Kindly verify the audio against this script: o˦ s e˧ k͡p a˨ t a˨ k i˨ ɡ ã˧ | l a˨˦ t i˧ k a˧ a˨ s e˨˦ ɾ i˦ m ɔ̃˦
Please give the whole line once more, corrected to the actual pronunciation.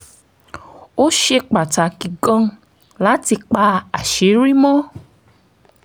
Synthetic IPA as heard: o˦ ʃ e˧ k͡p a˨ t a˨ k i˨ ɡ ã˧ | l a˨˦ t i˧ k͡p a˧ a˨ ʃ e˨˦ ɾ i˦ m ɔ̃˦